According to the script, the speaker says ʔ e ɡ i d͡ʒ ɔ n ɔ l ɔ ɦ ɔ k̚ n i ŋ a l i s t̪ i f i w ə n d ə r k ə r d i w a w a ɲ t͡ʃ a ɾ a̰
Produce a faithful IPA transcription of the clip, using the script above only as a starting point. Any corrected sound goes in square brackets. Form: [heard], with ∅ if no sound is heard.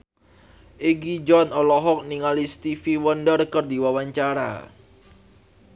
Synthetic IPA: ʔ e ɡ i d͡ʒ ɔ n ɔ l ɔ ɦ ɔ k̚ n i ŋ a l i s t̪ i f i w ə n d ə r k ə r d i w a w a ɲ t͡ʃ a ɾ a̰

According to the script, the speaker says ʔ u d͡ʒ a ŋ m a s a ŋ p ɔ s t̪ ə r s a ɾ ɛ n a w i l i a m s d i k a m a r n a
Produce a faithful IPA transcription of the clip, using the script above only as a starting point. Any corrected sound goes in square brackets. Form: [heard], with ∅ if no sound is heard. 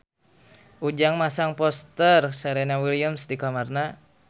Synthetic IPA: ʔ u d͡ʒ a ŋ m a s a ŋ p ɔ s t̪ ə r s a ɾ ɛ n a w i l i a m s d i k a m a r n a

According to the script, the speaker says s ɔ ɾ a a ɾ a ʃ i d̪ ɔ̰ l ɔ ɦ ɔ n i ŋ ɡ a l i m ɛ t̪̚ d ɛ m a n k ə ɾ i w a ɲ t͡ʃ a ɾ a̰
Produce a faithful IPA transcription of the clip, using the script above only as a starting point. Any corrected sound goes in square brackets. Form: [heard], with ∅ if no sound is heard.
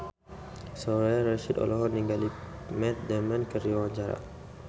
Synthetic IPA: s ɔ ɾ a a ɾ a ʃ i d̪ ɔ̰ l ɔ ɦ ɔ n i ŋ ɡ a l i m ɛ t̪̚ d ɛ m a n k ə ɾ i w a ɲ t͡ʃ a ɾ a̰

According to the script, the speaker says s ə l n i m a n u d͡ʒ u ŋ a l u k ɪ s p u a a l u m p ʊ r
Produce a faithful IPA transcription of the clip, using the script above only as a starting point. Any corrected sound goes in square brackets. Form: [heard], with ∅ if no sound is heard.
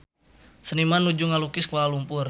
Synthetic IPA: s ə [∅] n i m a n u d͡ʒ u ŋ a l u k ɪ s [k] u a a l u m p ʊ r

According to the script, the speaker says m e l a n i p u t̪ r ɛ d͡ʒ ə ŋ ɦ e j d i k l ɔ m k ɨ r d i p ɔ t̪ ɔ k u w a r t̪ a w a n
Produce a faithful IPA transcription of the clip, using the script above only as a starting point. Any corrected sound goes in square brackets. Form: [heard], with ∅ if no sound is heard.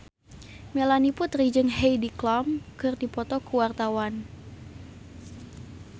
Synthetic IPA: m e l a n i p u t̪ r [i] d͡ʒ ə ŋ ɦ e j d i k l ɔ m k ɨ r d i p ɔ t̪ ɔ k u w a r t̪ a w a n

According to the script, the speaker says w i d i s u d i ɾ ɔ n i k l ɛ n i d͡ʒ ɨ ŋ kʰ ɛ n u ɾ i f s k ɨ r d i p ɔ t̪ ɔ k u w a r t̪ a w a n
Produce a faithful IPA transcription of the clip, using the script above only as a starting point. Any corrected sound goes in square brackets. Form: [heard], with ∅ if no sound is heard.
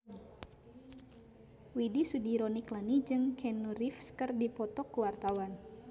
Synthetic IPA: w i d i s u d i ɾ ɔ n i k l [a] n i d͡ʒ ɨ ŋ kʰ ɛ n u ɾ i f s k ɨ r d i p ɔ t̪ ɔ k u w a r t̪ a w a n

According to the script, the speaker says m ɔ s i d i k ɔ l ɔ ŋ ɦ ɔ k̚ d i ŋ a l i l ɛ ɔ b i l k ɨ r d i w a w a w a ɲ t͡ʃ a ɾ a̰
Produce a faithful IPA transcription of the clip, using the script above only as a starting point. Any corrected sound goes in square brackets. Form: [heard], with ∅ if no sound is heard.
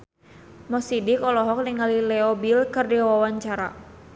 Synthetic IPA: m ɔ s i d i k ɔ l ɔ [∅] ɦ ɔ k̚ [n] i ŋ a l i l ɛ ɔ b i l k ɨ r d i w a w a w a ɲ t͡ʃ a ɾ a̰

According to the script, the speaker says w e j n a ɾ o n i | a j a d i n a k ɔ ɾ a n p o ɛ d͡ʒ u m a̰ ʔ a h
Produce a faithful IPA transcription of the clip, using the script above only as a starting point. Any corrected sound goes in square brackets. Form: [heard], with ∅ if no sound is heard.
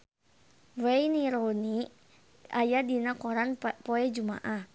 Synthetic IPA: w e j n [i] ɾ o n i | a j a d i n a k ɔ ɾ a n p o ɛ d͡ʒ u m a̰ ʔ a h

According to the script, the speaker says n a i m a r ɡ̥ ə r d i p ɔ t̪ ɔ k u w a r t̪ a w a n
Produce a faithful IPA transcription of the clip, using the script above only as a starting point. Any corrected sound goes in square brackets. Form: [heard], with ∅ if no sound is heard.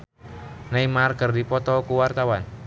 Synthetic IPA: n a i m a r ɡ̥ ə r d i p ɔ t̪ ɔ k u w a r t̪ a w a n

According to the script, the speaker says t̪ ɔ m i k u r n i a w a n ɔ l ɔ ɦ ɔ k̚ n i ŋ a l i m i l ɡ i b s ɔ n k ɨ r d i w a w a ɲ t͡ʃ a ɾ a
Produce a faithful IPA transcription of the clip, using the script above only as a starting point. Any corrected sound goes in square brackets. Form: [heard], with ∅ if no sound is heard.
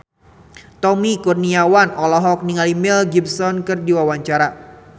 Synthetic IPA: t̪ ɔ m i k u r n i a w a n ɔ l ɔ ɦ ɔ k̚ n i ŋ a l i m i l ɡ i b s ɔ n k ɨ r d i w a w a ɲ t͡ʃ a ɾ a

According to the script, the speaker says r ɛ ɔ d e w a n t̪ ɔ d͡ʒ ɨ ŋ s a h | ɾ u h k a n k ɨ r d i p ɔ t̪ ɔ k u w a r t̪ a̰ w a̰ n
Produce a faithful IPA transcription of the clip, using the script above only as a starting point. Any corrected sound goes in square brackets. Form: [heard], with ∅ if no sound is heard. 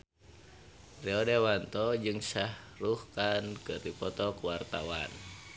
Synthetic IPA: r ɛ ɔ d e w a n t̪ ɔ d͡ʒ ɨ ŋ s a h | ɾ u h k a n k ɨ r d i p ɔ t̪ ɔ k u w a r t̪ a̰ w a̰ n

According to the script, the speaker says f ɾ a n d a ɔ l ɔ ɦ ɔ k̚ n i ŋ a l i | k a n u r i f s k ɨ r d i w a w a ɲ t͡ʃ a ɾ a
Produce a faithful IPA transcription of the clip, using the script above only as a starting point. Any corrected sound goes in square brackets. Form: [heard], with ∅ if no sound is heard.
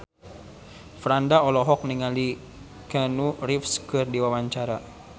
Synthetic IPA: f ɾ a n d a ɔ l ɔ ɦ ɔ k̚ n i ŋ a l i | k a n u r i f s k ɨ r d i w a w a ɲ t͡ʃ a ɾ a

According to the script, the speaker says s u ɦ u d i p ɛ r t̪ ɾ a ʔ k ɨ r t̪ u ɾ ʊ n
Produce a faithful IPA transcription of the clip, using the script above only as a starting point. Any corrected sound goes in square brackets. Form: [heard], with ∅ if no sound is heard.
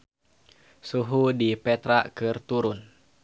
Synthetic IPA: s u ɦ u d i p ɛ [∅] t̪ ɾ a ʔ k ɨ r t̪ u ɾ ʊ n

